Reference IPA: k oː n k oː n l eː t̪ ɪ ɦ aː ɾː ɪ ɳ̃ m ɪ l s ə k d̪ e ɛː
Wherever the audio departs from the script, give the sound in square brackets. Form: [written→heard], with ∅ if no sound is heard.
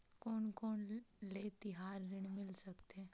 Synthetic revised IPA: k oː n k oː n l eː t̪ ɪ ɦ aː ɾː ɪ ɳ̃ m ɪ l s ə k [d̪→t̪] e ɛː